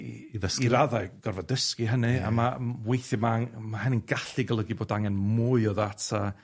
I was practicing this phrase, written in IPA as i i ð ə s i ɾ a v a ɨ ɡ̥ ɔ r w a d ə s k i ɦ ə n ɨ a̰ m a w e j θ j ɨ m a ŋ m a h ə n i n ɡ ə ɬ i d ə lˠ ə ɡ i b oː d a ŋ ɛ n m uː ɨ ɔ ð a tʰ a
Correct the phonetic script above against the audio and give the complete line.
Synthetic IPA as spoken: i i ð ə s i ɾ a ð a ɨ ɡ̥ ɔ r v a d ə s k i ɦ ə n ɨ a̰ m a w e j θ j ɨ m a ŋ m a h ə n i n ɡ a ɬ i ɡ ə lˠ ə ɡ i b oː d a ŋ ɛ n m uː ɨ ɔ ð a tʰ a